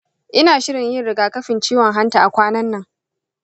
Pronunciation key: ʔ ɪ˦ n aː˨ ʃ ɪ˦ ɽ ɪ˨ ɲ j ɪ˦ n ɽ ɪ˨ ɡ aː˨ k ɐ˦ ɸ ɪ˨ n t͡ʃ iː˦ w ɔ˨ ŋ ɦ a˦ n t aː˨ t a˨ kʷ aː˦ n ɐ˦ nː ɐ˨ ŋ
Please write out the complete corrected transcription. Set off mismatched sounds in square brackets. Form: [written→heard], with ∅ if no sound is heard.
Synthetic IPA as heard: ʔ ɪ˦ n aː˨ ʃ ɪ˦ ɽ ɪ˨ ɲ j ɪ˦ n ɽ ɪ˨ ɡ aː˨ k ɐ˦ ɸ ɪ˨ n t͡ʃ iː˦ w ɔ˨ ŋ ɦ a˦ n t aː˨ [t→ʔ] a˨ kʷ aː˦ n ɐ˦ nː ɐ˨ ŋ

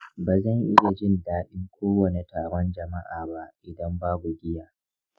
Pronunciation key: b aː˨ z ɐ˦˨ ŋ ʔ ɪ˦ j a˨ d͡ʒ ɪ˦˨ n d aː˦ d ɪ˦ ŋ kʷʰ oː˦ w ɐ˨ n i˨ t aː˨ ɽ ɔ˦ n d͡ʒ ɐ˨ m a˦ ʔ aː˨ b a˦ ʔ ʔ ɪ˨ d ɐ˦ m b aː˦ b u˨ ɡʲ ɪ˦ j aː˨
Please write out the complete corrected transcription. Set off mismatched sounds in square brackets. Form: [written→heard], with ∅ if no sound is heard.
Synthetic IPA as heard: b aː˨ z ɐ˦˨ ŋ ʔ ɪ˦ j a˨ d͡ʒ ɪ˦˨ n d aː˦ [d→ɗ] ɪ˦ ŋ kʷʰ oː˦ w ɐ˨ n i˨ t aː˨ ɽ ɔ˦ n d͡ʒ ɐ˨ m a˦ ʔ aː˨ b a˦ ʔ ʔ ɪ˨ d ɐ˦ m b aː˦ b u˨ ɡʲ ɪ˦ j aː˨

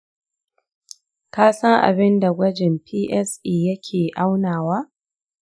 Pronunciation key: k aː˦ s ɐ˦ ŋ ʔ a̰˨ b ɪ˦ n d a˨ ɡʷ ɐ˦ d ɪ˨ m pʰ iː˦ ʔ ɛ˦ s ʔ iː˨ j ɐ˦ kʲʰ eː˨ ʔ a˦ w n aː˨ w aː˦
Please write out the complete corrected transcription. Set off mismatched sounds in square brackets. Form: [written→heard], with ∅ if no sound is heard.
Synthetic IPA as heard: k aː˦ s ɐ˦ ŋ ʔ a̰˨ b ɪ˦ n d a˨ ɡʷ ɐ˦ [d→d͡ʒ] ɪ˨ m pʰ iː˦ ʔ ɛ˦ s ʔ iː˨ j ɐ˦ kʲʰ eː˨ ʔ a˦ w n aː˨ w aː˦

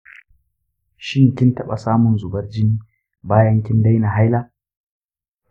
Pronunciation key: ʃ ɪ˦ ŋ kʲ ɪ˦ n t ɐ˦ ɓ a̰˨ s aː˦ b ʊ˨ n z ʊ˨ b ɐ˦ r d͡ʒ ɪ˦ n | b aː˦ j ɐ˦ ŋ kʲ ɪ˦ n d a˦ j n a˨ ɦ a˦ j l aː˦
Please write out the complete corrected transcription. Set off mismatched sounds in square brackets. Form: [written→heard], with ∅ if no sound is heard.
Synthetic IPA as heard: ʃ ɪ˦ ŋ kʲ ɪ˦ n t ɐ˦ ɓ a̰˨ s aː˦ [b→m] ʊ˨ n z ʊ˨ b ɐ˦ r d͡ʒ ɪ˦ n | b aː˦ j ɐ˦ ŋ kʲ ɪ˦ n d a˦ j n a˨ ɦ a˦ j l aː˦

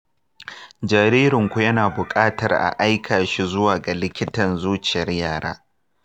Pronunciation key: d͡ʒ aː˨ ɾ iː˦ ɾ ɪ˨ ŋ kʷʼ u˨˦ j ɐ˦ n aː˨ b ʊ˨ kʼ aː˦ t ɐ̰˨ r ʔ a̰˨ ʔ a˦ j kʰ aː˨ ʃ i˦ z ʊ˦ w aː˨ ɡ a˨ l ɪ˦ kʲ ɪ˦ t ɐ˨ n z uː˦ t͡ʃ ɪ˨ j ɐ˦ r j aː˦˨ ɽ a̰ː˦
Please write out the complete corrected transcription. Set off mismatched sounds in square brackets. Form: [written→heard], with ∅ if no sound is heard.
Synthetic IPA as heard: d͡ʒ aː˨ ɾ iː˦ ɾ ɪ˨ ŋ [kʷʼ→kʷ] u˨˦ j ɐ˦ n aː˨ b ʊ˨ kʼ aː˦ t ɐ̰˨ r ʔ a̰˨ ʔ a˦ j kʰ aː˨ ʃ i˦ z ʊ˦ w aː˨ ɡ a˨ l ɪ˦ kʲ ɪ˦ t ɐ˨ n z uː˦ t͡ʃ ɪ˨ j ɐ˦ r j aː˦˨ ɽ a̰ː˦

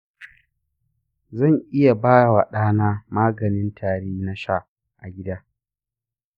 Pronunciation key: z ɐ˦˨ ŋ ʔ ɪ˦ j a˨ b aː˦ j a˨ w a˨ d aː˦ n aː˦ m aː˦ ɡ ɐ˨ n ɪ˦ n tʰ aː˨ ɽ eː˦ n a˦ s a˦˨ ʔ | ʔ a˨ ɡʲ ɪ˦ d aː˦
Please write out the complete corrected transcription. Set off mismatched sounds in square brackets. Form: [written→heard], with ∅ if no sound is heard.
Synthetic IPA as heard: z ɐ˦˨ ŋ ʔ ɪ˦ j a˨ b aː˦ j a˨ w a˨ [d→ɗ] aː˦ n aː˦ m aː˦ ɡ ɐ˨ n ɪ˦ n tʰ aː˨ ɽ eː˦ n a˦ [s→ʃ] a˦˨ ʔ | ʔ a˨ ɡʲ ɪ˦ d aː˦

